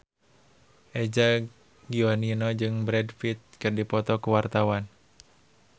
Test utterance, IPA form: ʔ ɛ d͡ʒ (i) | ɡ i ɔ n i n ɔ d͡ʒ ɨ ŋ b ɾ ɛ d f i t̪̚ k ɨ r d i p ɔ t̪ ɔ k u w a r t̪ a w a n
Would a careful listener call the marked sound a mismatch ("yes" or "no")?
yes